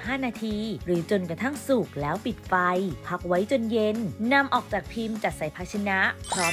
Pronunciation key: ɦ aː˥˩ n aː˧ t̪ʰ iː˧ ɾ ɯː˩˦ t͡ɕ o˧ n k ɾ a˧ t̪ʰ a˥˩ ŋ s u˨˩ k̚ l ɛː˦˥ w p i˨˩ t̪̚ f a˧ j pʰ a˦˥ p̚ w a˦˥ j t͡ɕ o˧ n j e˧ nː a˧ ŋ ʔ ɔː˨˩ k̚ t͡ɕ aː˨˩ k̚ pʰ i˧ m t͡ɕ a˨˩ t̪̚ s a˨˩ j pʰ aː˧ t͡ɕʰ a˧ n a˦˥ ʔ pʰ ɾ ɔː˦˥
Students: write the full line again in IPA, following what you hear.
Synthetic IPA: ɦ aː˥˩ n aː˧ t̪ʰ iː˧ ɾ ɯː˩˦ t͡ɕ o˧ n k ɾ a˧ t̪ʰ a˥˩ ŋ s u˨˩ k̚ l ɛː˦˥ w p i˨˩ t̪̚ f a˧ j pʰ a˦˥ k̚ w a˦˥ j t͡ɕ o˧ n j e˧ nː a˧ m ʔ ɔː˨˩ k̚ t͡ɕ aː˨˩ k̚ pʰ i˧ m t͡ɕ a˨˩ t̪̚ s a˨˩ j pʰ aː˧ t͡ɕʰ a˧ n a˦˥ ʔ pʰ ɾ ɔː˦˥